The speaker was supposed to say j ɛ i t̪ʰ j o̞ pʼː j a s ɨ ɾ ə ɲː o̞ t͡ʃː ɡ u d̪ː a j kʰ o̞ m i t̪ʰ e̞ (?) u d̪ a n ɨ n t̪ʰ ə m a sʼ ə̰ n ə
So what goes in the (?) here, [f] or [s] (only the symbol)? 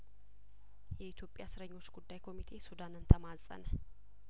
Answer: s